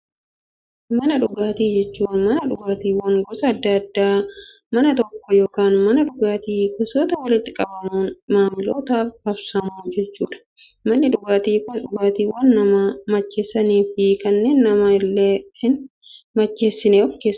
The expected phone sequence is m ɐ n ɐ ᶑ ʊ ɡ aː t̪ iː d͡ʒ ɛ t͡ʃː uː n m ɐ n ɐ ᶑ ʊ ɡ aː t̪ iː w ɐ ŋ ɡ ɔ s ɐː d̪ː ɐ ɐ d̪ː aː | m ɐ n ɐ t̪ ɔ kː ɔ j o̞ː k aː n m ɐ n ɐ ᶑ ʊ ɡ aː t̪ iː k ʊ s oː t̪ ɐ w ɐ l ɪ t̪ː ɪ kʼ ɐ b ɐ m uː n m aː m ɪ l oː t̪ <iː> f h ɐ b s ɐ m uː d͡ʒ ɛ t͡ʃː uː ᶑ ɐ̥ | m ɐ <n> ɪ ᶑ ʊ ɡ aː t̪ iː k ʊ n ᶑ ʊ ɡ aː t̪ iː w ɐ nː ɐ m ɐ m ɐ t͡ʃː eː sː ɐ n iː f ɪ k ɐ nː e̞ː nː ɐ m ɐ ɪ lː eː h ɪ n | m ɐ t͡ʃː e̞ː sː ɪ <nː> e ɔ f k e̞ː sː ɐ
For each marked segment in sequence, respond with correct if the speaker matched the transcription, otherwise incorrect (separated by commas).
incorrect, incorrect, incorrect